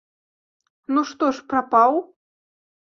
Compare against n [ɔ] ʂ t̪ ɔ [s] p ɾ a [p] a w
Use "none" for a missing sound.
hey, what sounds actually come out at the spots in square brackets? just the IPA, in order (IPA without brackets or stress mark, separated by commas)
u, ʂ, p